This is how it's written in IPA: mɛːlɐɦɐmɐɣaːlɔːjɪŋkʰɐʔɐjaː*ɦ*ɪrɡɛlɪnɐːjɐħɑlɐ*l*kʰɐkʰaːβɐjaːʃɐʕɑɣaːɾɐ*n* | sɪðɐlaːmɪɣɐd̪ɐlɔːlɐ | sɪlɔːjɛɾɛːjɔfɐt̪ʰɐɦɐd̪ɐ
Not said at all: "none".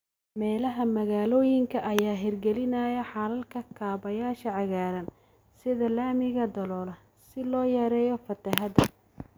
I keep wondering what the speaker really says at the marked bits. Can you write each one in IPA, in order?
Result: ɦ, l, n

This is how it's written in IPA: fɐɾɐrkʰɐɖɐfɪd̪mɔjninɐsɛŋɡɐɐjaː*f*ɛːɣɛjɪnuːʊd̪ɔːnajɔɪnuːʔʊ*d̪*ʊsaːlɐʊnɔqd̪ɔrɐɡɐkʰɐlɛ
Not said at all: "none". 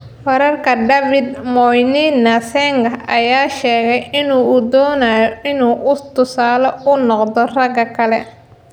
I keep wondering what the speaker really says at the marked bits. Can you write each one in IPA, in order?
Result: ʃ, t̪

